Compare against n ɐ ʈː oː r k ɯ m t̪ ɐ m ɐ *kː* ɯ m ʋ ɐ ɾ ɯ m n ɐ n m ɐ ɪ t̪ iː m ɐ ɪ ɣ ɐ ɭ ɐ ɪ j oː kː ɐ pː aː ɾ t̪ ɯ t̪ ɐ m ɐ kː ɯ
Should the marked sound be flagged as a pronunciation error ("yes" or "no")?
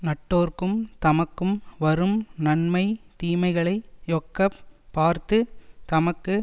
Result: no